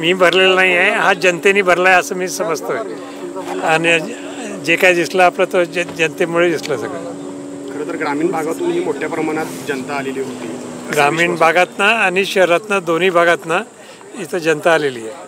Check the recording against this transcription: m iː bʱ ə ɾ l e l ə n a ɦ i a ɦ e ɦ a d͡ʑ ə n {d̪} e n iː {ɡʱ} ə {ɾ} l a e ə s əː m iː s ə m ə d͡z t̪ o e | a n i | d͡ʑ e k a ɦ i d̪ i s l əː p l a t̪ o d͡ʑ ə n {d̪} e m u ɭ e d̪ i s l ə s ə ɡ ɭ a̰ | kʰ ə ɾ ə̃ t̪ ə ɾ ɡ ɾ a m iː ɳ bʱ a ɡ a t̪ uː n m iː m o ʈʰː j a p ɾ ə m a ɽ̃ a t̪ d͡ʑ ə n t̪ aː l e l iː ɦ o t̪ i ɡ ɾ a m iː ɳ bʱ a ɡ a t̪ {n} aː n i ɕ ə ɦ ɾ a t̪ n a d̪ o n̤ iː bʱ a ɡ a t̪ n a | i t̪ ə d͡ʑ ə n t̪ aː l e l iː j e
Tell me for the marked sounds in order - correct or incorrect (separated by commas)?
incorrect, incorrect, correct, incorrect, correct